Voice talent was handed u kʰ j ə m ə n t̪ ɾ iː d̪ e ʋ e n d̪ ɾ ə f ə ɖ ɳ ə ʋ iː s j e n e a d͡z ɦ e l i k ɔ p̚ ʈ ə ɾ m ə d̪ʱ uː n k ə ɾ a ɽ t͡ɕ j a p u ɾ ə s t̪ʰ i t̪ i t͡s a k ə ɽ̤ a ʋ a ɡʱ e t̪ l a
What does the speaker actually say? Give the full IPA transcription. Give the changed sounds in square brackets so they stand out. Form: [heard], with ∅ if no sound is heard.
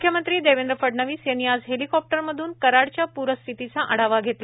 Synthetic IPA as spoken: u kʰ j ə m ə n t̪ ɾ iː d̪ e ʋ e n d̪ ɾ ə f ə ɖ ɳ ə ʋ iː s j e n [i] a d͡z ɦ e l i k ɔ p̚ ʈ ə ɾ m ə d̪ʱ uː n k ə ɾ a ɽ t͡ɕ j a p u ɾ ə s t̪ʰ i t̪ i t͡s a [ʔ] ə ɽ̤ a ʋ a ɡʱ e t̪ l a